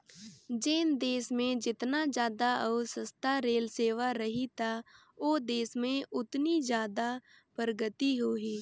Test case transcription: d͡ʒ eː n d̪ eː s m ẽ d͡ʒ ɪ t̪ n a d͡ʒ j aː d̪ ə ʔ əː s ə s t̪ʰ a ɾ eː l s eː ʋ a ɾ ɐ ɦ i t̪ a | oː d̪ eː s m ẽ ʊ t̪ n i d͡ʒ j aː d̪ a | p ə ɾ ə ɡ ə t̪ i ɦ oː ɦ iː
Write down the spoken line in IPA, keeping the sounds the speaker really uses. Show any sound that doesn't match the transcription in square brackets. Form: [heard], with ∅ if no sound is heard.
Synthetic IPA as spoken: d͡ʒ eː n d̪ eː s m ẽ d͡ʒ ɪ t̪ n a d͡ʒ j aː d̪ [a] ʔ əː s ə s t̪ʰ a ɾ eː l s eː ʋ a ɾ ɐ ɦ i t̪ a | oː d̪ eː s m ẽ ʊ t̪ n i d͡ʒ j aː d̪ a | p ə ɾ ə ɡ ə t̪ i ɦ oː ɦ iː